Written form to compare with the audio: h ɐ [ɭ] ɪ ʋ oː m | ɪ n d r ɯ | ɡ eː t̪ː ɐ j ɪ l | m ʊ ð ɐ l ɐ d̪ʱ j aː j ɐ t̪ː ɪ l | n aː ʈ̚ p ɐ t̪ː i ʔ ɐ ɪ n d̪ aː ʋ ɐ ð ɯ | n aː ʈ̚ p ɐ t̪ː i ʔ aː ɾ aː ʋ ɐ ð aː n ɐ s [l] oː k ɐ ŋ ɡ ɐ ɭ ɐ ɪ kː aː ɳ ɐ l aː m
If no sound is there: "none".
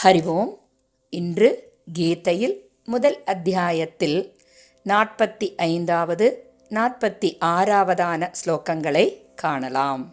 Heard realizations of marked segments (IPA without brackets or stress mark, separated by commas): ɾ, l